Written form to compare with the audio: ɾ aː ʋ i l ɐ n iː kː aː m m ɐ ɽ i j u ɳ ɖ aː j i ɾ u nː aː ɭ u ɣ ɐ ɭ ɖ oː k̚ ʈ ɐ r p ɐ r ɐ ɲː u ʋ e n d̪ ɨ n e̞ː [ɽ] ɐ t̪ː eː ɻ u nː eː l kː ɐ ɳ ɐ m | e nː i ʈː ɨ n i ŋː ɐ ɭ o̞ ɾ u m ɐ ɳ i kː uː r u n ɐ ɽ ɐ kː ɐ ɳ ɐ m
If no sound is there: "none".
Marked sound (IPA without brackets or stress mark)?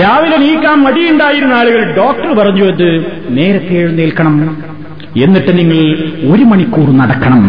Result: ɾ